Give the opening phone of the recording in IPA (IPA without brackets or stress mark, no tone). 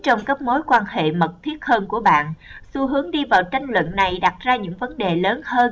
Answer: t͡ɕ